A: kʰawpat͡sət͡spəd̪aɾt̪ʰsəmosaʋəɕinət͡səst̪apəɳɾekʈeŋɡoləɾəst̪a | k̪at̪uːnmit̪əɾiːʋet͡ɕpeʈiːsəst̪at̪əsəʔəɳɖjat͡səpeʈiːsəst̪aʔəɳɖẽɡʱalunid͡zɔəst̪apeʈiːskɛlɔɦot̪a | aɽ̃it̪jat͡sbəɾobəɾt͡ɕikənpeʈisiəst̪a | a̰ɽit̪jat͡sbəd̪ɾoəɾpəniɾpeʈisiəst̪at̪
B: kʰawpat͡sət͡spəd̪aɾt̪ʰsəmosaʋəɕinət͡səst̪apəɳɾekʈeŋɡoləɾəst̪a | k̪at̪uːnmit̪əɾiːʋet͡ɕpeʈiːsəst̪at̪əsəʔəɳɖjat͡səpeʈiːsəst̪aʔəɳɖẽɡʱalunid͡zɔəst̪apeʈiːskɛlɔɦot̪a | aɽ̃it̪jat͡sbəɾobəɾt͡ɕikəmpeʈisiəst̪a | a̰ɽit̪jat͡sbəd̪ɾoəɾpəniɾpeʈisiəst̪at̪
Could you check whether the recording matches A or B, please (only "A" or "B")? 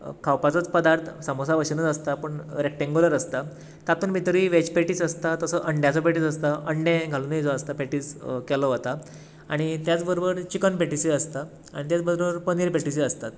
A